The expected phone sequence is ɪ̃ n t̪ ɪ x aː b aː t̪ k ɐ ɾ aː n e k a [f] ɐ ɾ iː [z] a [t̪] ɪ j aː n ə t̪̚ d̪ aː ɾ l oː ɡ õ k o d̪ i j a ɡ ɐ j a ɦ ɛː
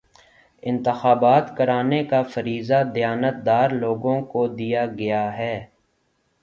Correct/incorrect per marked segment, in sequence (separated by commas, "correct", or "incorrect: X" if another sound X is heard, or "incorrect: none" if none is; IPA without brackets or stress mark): correct, correct, incorrect: d̪